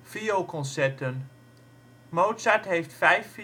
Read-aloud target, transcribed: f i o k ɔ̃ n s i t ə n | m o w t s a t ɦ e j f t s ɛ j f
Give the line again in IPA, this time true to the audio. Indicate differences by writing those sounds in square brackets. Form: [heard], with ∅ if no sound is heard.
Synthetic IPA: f i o k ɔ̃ n s [ɛ] t ə n | m o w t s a t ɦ e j f t [f] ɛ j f